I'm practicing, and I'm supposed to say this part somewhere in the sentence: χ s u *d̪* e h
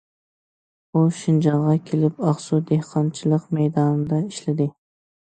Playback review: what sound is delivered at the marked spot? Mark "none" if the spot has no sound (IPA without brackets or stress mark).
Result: d̪